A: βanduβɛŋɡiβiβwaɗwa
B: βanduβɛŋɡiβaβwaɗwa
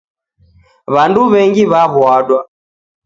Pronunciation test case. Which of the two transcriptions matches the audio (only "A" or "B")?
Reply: B